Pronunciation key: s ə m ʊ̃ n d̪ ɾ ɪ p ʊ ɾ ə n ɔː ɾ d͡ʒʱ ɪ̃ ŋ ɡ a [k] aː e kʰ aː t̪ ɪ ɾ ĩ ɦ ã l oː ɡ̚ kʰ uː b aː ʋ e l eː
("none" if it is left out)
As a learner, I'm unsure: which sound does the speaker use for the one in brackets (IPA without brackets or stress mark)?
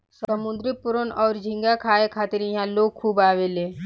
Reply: kʰ